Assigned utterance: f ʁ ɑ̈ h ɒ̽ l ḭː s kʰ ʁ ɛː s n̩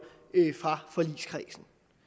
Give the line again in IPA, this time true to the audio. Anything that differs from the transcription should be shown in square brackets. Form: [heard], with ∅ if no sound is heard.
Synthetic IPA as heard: f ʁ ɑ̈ [f] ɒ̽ l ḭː s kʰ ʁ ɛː s n̩